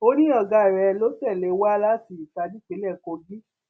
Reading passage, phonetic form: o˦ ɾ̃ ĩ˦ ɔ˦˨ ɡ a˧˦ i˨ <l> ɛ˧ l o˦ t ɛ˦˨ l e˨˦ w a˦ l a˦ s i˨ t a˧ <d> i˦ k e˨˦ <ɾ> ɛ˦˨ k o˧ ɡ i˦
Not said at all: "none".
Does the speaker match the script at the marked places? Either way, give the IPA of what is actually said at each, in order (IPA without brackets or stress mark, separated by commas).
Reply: ɾ, d, l